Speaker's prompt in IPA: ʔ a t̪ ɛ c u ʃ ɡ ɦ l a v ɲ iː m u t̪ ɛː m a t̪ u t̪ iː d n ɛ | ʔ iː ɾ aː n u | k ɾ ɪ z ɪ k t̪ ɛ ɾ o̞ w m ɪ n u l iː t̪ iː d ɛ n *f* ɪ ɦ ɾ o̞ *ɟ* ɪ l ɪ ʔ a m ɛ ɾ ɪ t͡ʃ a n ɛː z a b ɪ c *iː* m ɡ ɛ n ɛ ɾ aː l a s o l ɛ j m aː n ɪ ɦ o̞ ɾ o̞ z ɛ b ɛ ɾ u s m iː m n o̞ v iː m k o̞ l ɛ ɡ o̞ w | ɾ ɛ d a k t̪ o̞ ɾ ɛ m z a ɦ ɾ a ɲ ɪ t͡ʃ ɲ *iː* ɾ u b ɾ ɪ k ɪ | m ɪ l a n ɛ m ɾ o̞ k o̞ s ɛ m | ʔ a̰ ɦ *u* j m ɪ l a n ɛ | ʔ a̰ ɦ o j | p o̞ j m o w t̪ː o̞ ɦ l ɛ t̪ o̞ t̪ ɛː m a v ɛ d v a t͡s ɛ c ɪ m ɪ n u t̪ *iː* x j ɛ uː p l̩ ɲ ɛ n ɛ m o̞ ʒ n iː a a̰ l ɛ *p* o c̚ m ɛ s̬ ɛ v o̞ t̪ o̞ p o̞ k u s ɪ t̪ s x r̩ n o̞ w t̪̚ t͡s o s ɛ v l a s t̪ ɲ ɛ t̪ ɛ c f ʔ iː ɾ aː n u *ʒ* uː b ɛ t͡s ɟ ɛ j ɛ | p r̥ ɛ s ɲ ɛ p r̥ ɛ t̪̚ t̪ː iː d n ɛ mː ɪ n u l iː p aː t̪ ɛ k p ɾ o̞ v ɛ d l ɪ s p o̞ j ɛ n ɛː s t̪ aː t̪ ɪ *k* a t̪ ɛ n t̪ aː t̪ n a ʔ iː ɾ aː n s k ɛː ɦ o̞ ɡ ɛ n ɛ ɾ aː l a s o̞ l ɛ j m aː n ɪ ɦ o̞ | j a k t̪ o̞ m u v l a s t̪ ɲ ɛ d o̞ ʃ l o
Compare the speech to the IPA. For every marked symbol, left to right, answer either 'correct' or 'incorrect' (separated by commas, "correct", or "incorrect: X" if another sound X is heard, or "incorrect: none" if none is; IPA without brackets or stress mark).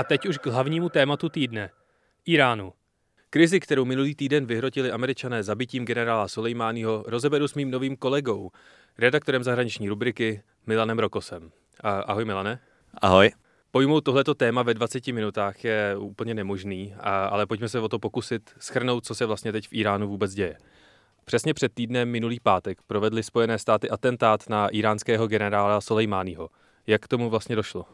incorrect: v, incorrect: c, correct, correct, incorrect: o, incorrect: aː, correct, incorrect: v, incorrect: ʔ